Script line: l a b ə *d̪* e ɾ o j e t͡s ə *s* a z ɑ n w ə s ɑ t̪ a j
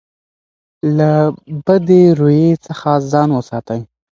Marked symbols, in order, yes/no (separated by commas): yes, no